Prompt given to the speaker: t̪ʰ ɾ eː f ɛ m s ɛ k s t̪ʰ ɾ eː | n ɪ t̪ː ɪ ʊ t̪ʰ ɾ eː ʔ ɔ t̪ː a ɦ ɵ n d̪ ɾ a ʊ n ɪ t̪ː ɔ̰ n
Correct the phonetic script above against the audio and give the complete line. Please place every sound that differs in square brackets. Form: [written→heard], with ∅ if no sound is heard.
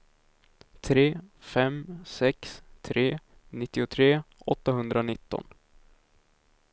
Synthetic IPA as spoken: t̪ʰ ɾ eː f ɛ m s ɛ k s t̪ʰ ɾ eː | n ɪ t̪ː ɪ ʊ t̪ʰ ɾ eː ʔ ɔ t̪ː a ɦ ɵ n d̪ ɾ a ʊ n ɪ t̪ː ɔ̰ n